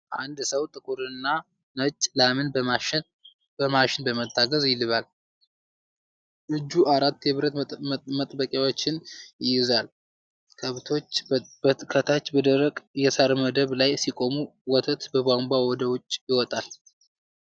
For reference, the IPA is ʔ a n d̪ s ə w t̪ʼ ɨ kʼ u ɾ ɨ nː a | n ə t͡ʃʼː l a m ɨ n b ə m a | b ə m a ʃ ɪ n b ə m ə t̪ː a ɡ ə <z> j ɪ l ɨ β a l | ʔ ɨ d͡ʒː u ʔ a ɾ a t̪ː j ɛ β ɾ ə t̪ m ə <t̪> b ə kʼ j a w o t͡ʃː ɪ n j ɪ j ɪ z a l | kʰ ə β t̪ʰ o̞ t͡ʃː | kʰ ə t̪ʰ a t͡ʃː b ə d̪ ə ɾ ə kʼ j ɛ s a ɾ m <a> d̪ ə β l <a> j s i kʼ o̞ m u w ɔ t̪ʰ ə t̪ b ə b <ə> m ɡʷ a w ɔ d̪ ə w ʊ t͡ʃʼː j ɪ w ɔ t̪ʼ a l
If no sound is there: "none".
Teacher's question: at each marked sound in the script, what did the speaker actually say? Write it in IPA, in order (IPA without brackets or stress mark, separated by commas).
z, t̪ʼ, ə, a, a